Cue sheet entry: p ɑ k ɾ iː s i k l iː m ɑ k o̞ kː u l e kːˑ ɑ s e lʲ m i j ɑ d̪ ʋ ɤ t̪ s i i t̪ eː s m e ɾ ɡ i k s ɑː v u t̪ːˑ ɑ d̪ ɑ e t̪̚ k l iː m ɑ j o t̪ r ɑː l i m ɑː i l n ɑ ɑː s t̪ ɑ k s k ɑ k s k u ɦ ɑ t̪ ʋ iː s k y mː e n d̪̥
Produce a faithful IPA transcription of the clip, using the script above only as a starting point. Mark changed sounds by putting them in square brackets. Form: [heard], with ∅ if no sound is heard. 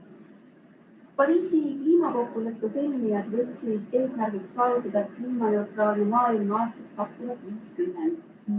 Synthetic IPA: p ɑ [∅] ɾ iː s i k l iː m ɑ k o̞ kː u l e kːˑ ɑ s e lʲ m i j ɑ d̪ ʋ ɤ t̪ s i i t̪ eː s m [æ] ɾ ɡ i k s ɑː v u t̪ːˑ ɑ d̪ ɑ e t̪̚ k l iː m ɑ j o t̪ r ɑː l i m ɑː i l [m] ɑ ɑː s t̪ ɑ k s k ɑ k s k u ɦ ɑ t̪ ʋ iː s k y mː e n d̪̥